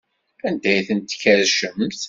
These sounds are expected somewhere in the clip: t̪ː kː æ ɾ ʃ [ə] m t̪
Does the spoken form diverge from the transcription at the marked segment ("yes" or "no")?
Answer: no